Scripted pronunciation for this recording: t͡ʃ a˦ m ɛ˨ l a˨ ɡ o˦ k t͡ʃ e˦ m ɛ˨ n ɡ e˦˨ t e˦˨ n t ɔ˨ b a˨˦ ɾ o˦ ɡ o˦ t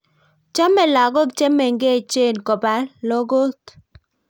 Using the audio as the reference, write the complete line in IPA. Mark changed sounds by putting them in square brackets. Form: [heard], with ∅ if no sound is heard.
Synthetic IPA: t͡ʃ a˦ m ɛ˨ l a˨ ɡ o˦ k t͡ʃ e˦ m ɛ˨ [ŋ] ɡ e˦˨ [t͡ʃ] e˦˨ n [k] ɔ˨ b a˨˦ [l] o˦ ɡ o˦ t